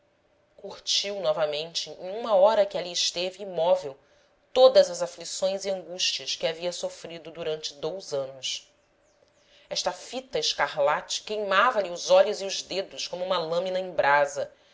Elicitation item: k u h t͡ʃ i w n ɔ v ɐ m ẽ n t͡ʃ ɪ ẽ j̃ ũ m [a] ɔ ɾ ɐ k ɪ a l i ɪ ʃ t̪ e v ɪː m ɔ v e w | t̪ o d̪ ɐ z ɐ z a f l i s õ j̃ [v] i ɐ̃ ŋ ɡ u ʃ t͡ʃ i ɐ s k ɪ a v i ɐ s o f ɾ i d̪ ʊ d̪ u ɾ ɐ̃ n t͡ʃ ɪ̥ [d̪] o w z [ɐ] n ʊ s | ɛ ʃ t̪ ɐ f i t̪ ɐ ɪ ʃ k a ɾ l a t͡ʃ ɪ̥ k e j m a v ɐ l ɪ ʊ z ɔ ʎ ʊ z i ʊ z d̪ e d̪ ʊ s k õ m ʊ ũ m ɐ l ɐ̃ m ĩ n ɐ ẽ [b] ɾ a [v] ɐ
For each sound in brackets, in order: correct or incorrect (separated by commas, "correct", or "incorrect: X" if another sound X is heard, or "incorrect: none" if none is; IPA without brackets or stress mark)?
incorrect: ɐ, incorrect: z, correct, incorrect: ɐ̃, correct, incorrect: z